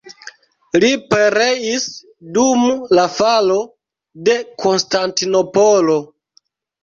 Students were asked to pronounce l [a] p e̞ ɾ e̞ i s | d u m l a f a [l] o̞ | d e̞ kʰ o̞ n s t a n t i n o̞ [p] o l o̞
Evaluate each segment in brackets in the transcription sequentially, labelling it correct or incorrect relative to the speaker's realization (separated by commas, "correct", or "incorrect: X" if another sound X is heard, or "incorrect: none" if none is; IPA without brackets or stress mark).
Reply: incorrect: i, correct, correct